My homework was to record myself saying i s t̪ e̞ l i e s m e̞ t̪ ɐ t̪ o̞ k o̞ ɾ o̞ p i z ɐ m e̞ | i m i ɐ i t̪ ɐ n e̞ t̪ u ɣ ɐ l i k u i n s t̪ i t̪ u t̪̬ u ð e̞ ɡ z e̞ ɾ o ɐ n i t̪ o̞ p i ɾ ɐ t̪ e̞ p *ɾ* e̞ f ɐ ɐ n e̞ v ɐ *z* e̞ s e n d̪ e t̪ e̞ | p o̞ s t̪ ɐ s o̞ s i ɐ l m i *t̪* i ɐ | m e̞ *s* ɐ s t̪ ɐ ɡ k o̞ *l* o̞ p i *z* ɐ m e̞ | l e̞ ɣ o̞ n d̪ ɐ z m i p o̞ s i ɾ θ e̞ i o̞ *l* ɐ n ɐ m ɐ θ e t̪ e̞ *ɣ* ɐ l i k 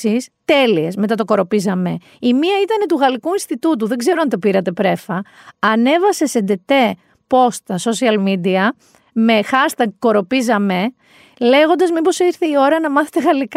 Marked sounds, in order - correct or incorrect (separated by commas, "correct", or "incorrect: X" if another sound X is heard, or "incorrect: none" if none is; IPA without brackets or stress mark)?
correct, incorrect: s, incorrect: d̪, incorrect: x, incorrect: ɾ, correct, incorrect: ɾ, correct